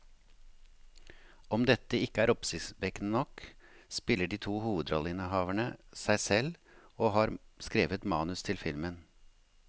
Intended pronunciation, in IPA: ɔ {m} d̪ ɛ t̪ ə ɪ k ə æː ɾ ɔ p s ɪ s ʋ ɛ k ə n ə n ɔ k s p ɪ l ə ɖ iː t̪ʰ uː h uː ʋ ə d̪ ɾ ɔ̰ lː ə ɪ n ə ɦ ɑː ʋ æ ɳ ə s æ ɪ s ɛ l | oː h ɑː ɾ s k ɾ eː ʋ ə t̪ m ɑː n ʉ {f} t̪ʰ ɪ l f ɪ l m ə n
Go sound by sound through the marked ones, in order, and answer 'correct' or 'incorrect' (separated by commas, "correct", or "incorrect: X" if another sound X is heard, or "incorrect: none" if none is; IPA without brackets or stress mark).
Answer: correct, incorrect: s